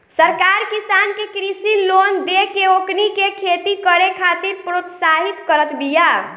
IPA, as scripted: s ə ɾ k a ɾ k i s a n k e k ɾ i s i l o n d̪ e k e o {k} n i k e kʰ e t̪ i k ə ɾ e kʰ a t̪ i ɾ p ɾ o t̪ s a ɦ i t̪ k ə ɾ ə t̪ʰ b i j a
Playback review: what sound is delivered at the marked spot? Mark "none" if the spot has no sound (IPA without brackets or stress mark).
k